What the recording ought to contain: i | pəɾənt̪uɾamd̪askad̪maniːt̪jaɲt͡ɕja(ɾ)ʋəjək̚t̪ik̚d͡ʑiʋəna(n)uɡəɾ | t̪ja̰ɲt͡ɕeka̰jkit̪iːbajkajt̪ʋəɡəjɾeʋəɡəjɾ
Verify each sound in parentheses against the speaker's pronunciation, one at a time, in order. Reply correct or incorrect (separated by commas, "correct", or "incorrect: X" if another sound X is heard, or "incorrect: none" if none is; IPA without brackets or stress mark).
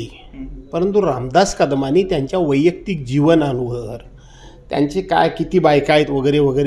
incorrect: none, correct